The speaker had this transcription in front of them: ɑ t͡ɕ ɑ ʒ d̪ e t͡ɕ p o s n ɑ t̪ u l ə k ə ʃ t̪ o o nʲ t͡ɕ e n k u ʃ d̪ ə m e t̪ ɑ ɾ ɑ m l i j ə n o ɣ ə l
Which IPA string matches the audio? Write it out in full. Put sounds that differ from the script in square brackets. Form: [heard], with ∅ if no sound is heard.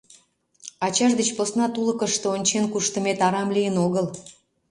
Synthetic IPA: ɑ t͡ɕ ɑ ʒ d̪ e t͡ɕ p o s n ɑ t̪ u l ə k ə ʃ t̪ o o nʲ t͡ɕ e n k u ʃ [t̪] ə m e t̪ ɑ ɾ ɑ m l i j ə n o ɣ ə l